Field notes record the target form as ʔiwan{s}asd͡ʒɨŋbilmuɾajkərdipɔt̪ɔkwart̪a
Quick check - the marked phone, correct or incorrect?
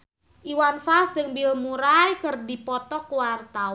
incorrect